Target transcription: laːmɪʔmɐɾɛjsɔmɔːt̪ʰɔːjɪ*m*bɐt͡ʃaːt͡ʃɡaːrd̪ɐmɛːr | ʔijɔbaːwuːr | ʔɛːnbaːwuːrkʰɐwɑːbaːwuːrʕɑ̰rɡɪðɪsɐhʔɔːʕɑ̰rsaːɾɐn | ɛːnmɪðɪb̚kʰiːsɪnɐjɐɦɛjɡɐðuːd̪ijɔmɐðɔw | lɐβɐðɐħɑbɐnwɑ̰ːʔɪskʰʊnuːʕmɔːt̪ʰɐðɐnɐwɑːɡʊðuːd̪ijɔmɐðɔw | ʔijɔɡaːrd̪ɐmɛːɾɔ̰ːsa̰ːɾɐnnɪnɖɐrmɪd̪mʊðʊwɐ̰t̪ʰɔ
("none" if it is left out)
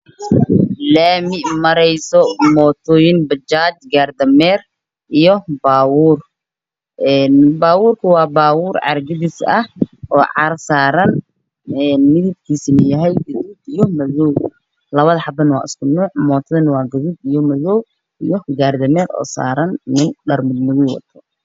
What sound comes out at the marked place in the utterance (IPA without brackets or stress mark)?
n